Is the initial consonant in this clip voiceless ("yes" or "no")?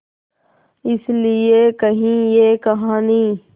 yes